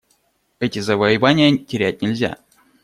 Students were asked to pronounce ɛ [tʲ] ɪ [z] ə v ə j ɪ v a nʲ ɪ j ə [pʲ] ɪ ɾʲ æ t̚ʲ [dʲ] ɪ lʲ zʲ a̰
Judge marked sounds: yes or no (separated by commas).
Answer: yes, yes, no, no